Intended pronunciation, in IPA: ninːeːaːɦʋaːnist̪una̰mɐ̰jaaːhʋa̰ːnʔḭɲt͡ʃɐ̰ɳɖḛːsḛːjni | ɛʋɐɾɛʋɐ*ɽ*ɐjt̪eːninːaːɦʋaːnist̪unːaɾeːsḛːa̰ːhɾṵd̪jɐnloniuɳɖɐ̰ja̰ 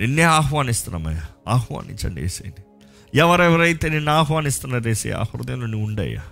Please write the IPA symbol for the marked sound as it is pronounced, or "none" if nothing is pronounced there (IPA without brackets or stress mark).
ɾ